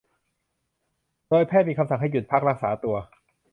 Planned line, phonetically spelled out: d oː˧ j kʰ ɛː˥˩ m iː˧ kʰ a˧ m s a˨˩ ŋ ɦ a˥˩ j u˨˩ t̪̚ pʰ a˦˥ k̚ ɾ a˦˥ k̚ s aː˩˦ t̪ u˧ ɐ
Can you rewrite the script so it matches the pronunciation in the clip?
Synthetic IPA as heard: d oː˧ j pʰ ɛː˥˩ m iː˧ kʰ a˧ m s a˨˩ ŋ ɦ a˥˩ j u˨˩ t̪̚ pʰ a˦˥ k̚ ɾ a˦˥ k̚ s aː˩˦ t̪ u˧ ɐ